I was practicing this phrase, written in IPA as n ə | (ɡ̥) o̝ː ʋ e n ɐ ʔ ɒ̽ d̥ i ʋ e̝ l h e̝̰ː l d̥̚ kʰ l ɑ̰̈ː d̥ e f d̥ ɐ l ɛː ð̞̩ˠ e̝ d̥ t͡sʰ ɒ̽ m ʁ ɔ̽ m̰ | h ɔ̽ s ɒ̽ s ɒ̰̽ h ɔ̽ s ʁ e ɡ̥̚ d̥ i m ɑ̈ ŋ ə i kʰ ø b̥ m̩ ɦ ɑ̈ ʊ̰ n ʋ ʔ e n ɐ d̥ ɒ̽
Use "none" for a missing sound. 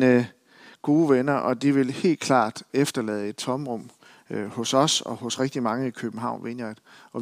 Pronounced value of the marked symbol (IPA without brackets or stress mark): ɡ̥